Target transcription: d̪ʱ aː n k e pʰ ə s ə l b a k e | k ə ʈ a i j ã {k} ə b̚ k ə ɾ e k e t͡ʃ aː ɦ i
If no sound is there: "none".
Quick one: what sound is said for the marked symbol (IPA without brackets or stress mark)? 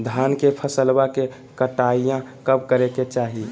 k